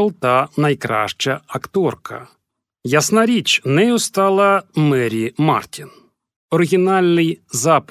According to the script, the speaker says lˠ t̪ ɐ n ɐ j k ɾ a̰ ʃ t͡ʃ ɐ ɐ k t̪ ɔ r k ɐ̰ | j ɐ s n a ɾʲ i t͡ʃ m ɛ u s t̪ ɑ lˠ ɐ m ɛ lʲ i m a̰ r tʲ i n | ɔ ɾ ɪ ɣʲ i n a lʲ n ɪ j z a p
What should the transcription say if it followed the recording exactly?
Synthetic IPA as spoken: lˠ t̪ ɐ n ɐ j k ɾ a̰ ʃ t͡ʃ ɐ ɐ k t̪ ɔ r k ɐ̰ | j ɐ s n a ɾʲ i t͡ʃ n ɛ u s t̪ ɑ lˠ ɐ m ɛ ɾʲ i m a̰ r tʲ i n | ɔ ɾ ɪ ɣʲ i n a lʲ n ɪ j z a p